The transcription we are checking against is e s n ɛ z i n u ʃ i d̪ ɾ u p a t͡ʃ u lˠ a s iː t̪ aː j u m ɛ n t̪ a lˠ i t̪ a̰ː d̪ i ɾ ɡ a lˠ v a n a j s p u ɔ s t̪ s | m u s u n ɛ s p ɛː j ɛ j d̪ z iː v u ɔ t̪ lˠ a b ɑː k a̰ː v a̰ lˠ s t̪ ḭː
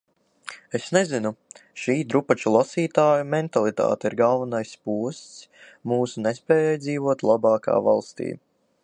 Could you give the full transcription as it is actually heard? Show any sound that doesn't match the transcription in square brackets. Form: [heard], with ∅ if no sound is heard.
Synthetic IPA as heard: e s n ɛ z i n u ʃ [iː] d̪ ɾ u p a t͡ʃ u lˠ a s iː t̪ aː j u m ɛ n t̪ a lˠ i t̪ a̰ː [t̪] i ɾ ɡ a lˠ v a n a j s p u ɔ s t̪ s | m [uː] s u n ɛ s p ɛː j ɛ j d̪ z iː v u ɔ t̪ lˠ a b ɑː k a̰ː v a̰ lˠ s t̪ ḭː